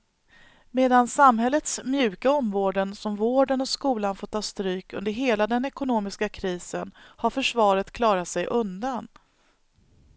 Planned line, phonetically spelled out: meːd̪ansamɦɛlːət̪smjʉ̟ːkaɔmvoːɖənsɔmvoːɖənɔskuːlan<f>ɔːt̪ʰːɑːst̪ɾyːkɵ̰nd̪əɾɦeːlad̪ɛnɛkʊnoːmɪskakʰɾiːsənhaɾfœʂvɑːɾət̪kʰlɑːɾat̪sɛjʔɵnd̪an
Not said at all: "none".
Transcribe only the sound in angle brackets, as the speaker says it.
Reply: f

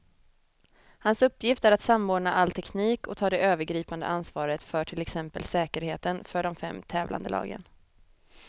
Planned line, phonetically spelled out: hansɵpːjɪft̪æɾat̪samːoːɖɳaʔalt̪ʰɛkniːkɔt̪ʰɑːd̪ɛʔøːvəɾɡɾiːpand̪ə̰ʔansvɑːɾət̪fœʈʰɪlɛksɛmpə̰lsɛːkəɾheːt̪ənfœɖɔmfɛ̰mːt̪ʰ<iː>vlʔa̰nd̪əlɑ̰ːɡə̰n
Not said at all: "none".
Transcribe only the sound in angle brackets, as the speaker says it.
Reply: ɛː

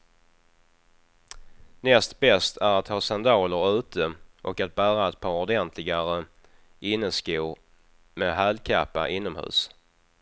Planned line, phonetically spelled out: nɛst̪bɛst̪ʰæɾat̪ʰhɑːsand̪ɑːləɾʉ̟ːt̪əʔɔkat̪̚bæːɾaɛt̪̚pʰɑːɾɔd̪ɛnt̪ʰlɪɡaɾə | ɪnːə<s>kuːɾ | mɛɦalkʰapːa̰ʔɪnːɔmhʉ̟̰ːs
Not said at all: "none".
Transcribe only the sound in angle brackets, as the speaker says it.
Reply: s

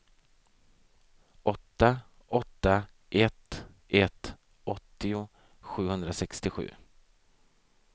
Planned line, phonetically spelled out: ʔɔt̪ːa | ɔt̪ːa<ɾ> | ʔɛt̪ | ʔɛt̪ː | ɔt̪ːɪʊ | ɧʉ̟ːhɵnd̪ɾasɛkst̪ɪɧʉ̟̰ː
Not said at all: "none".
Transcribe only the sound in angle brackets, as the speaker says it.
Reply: none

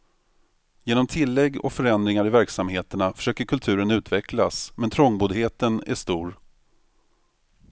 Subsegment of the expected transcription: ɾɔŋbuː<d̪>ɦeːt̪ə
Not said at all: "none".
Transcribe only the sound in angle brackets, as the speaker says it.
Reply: d̪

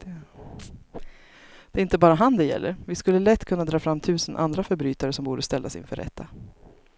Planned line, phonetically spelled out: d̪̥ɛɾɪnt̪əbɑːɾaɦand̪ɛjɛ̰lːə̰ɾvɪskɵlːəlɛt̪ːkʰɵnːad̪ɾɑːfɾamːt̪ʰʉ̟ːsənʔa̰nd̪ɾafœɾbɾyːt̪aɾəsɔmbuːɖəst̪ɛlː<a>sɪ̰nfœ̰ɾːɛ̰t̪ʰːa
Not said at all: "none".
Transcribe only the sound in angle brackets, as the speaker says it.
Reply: a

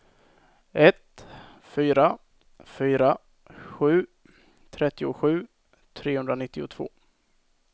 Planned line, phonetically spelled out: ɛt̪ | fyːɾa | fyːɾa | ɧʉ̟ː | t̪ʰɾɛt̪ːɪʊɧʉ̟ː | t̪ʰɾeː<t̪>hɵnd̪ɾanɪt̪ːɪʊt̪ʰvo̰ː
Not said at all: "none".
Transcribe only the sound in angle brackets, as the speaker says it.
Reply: none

